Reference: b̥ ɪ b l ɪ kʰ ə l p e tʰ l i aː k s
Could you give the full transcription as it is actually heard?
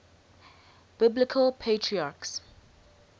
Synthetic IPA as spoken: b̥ ɪ b l ɪ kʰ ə l pʰ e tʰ ɹ i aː k s